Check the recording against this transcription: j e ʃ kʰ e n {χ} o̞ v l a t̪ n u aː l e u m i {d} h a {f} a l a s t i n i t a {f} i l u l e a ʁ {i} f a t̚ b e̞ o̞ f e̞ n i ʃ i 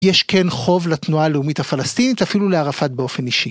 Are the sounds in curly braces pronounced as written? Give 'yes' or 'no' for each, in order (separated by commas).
yes, no, yes, yes, no